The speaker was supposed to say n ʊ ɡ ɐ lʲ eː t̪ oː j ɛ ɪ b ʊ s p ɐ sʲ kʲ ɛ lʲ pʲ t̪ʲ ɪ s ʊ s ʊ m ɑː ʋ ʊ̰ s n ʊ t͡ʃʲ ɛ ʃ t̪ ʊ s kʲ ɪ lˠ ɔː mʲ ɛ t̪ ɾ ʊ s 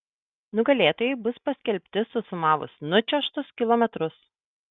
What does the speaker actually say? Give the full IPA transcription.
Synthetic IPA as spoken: n ʊ ɡ ɐ lʲ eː t̪ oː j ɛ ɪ b ʊ s p ɐ sʲ kʲ ɛ lʲ pʲ t̪ʲ ɪ s ʊ s ʊ m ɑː ʋ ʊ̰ s n ʊ t͡ʃʲ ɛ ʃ t̪ ʊ s kʲ ɪ lˠ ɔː mʲ ɛ t̪ ɾ ʊ s